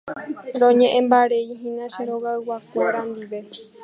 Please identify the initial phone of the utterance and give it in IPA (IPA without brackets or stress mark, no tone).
ɾ